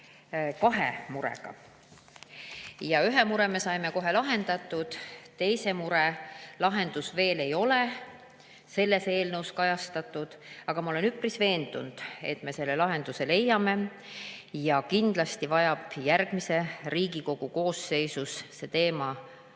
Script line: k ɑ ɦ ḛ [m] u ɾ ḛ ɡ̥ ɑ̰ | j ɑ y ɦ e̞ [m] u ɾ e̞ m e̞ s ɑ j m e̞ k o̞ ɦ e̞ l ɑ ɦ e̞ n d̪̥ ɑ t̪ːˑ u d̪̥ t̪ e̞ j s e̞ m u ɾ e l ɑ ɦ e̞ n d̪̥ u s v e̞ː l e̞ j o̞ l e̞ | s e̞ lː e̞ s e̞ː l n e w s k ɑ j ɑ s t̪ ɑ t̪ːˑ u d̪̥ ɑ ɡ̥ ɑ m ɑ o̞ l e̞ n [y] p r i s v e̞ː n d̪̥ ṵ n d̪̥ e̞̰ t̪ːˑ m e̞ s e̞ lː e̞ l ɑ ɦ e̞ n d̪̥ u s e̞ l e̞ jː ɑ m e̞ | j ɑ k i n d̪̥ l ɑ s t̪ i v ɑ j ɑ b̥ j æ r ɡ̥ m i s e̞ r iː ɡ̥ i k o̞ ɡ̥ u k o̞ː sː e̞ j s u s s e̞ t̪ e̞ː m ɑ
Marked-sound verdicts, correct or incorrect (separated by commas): correct, correct, correct